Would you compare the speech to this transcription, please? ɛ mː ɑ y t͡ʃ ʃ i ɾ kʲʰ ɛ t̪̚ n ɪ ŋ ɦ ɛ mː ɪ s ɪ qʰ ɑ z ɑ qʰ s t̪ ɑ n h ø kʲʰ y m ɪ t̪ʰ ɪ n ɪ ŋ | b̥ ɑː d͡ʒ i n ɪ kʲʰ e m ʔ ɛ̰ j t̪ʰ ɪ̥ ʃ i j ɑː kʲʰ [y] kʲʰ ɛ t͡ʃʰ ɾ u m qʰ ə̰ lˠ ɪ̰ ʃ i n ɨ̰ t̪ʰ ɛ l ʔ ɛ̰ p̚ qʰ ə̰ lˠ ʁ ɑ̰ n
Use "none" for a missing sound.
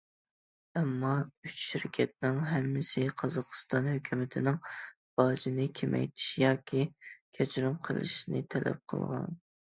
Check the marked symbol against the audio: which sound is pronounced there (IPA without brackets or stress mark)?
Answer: i